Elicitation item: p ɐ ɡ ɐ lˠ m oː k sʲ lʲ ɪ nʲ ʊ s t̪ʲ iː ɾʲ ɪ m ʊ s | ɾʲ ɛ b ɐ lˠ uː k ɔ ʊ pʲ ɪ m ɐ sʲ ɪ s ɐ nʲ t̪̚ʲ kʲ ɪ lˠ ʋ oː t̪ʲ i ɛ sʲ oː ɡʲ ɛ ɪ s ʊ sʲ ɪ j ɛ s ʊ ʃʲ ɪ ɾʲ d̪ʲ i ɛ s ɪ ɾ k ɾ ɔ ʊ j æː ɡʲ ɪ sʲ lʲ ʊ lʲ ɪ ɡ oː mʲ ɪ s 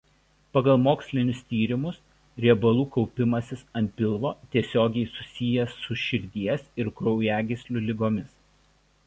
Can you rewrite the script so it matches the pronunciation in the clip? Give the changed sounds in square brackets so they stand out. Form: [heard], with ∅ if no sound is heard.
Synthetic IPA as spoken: p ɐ ɡ ɐ lˠ m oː k sʲ lʲ ɪ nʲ ʊ s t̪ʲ iː ɾʲ ɪ m ʊ s | ɾʲ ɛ b ɐ lˠ uː k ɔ ʊ pʲ ɪ m ɐ sʲ ɪ s ɐ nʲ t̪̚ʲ [pʲ] ɪ lˠ ʋ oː t̪ʲ i ɛ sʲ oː ɡʲ ɛ ɪ s ʊ sʲ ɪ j ɛ s ʊ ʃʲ ɪ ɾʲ d̪ʲ i ɛ s ɪ ɾ k ɾ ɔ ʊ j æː ɡʲ ɪ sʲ lʲ ʊ lʲ ɪ ɡ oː mʲ ɪ s